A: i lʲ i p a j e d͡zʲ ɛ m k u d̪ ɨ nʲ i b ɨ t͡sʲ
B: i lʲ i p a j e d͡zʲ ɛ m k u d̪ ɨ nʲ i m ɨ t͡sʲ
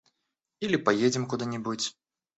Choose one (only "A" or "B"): A